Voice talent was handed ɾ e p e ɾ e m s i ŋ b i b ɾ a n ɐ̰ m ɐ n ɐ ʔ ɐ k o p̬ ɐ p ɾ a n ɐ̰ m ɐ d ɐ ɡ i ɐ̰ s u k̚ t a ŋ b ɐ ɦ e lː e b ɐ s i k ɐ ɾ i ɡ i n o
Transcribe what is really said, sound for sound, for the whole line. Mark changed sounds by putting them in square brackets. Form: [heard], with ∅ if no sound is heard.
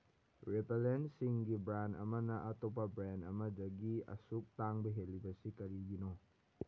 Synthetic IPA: ɾ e p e [l] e [n] s i ŋ [ɡ] i b ɾ a n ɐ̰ m ɐ n ɐ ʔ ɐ [t] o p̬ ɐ [b] ɾ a n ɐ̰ m ɐ d ɐ ɡ i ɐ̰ s u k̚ t a ŋ b ɐ ɦ e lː [i] b ɐ s i k ɐ ɾ i ɡ i n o